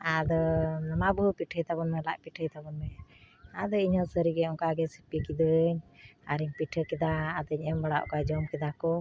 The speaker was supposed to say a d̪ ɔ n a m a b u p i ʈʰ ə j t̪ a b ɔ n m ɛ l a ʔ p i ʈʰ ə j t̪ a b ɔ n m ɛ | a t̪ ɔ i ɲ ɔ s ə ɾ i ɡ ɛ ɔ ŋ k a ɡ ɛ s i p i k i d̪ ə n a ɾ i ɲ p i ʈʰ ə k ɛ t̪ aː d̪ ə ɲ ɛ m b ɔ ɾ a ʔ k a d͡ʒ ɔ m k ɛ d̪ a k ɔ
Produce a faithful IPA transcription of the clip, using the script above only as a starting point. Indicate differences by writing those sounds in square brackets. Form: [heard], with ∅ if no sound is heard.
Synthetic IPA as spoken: a d̪ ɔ n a m a b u p i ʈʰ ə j t̪ a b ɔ n m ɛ l a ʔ p i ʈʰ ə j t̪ a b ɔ n m ɛ | a [d̪] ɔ i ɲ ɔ s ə ɾ i ɡ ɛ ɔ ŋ k a ɡ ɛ s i p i k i d̪ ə [ɲ] a ɾ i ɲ p i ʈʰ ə k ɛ [d̪] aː d̪ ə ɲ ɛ m b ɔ [ɽ] a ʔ k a d͡ʒ ɔ m k ɛ d̪ a k ɔ

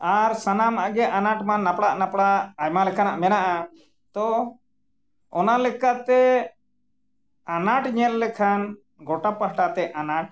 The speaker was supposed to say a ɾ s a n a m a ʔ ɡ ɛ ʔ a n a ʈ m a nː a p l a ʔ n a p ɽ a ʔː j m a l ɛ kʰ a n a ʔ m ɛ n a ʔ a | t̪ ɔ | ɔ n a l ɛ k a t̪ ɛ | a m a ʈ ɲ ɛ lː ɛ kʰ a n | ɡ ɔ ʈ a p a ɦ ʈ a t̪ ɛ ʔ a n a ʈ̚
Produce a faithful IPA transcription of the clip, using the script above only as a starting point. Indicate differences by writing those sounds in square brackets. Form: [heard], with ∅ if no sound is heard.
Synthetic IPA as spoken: a ɾ s a n a m a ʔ ɡ ɛ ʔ a n a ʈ m a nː a p [ɽ] a ʔ n a p ɽ a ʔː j m a l ɛ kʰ a n a ʔ m ɛ n a ʔ a | t̪ ɔ | ɔ n a l ɛ k a t̪ ɛ | a [n] a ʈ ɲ ɛ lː ɛ kʰ a n | ɡ ɔ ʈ a p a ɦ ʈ a t̪ ɛ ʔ a n a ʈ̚

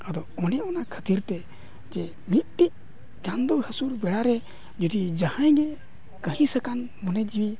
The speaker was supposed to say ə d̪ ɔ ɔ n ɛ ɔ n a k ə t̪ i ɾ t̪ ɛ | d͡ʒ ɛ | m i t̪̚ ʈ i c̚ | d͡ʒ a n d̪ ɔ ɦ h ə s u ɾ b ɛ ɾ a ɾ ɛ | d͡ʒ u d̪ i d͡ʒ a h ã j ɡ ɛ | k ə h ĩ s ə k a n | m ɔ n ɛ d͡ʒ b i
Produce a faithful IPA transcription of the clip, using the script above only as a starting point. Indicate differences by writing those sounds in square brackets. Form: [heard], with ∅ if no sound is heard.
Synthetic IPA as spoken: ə d̪ ɔ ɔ n ɛ ɔ n a [kʰ] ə t̪ i ɾ t̪ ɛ | d͡ʒ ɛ | m i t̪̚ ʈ i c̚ | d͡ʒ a n d̪ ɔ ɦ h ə s u ɾ b ɛ [ɽ] a ɾ ɛ | d͡ʒ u d̪ i d͡ʒ a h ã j ɡ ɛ | k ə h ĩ s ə k a n | m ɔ n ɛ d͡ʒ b i

